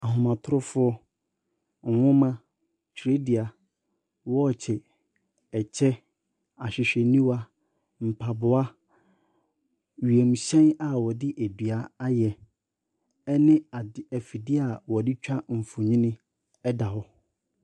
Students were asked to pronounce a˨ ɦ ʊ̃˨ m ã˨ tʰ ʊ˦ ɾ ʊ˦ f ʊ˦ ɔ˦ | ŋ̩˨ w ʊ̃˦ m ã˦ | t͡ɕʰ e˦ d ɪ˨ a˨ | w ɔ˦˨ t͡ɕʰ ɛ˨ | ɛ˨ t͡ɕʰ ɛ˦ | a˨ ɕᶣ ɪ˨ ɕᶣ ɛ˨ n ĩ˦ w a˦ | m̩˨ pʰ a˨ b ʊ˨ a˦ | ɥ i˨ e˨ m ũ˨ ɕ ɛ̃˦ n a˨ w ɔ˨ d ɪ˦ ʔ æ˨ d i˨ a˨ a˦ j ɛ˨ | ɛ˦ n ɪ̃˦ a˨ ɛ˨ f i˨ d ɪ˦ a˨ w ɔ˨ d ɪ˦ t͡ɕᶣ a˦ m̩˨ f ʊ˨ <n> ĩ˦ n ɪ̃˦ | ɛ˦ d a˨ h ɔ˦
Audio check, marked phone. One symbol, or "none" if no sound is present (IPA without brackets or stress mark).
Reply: ɲ